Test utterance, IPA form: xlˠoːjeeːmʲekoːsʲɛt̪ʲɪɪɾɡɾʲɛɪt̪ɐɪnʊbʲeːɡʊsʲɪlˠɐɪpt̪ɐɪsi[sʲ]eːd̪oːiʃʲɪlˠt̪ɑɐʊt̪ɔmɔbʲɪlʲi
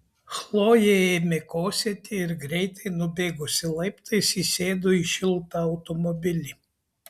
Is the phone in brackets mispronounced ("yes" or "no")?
no